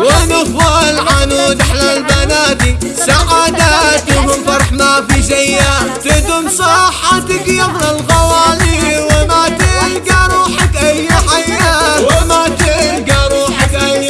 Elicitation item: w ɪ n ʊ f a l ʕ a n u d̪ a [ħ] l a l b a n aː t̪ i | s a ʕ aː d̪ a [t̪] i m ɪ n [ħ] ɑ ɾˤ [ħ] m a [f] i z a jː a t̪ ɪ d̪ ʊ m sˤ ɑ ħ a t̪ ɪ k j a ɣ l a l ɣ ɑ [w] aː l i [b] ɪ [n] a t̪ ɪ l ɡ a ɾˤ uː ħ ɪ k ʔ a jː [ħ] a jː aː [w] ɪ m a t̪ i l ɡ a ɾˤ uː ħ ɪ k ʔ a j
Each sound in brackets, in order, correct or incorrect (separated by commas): correct, correct, incorrect, correct, correct, correct, incorrect, incorrect, correct, correct